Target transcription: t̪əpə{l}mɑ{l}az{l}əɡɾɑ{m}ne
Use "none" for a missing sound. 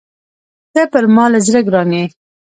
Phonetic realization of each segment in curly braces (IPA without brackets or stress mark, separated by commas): ɾ, l, ɾ, none